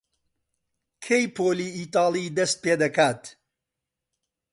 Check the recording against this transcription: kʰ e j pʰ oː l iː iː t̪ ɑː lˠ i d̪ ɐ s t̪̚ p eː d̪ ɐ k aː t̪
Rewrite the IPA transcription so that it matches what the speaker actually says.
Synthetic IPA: kʰ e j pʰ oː l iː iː t̪ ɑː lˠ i d̪ ɐ s t̪̚ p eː d̪ ɐ k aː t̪